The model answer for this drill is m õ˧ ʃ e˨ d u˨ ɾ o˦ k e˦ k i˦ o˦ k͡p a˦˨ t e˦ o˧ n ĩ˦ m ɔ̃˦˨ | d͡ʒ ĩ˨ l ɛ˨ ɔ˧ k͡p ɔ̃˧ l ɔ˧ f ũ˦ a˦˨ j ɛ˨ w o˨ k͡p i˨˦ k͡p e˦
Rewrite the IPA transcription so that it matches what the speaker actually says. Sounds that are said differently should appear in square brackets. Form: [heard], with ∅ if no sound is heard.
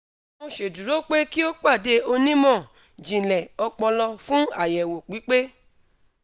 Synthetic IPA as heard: m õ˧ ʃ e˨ d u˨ ɾ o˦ [k͡p] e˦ k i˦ o˦ k͡p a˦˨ [d] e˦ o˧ n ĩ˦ m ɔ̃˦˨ | d͡ʒ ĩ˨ l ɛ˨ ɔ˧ k͡p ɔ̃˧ l ɔ˧ f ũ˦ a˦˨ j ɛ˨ w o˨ k͡p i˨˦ k͡p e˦

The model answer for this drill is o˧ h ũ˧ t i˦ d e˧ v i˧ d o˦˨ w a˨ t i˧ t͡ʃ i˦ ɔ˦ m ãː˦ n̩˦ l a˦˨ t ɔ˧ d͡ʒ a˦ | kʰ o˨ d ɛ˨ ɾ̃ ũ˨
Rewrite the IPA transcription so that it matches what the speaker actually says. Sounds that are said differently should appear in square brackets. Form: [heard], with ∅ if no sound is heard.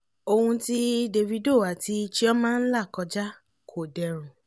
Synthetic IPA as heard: o˧ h ũ˧ t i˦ d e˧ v i˧ d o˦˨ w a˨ t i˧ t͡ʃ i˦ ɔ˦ m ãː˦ n̩˦ l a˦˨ [k] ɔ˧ d͡ʒ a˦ | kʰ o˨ d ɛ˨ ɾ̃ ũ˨

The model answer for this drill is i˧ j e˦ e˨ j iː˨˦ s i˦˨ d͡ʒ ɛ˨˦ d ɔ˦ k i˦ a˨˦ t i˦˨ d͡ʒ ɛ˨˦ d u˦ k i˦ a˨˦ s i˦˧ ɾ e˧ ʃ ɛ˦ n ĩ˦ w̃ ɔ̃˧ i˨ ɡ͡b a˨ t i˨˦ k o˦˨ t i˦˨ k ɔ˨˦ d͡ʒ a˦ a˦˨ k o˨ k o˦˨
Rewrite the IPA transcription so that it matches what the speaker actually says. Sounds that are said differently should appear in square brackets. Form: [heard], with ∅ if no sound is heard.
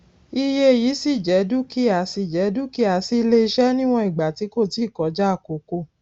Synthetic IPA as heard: i˧ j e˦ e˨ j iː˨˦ s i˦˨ d͡ʒ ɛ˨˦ d [u˦] k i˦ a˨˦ [s] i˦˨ d͡ʒ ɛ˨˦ d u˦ k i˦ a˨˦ s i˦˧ [l] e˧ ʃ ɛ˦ n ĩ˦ w̃ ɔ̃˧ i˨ ɡ͡b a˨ t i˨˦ k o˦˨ t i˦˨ k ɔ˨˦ d͡ʒ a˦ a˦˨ k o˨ k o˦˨

